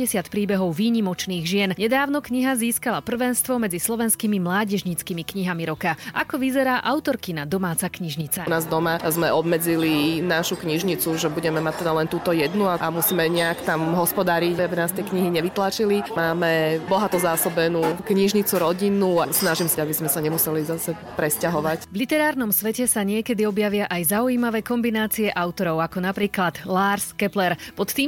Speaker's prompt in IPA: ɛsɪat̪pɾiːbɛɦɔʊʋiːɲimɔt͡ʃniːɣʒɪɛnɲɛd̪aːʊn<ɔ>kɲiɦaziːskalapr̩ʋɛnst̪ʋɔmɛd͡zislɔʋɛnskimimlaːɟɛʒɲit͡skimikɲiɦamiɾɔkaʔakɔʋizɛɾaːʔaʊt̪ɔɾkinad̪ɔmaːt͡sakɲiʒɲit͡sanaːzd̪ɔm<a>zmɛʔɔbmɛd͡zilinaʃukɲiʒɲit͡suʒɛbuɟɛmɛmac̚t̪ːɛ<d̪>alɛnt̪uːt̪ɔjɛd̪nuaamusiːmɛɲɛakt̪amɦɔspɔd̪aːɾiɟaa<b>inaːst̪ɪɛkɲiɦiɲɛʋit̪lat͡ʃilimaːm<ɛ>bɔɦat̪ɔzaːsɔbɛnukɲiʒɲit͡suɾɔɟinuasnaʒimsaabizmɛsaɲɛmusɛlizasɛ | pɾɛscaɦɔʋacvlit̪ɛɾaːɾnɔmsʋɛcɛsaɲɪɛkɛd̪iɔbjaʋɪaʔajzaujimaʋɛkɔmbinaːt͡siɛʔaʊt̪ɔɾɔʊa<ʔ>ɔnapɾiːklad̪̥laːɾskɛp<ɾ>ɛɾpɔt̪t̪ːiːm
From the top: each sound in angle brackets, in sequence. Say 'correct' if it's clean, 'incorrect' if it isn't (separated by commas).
correct, correct, correct, correct, correct, incorrect, incorrect